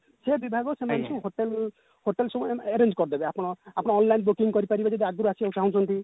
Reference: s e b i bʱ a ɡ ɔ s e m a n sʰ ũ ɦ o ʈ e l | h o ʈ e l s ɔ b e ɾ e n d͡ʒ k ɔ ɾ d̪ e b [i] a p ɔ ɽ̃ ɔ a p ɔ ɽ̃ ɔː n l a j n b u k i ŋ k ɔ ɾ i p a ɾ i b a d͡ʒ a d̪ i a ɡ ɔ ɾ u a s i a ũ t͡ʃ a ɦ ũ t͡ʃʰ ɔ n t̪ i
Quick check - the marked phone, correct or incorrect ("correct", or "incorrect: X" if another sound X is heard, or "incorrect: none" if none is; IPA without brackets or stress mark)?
incorrect: e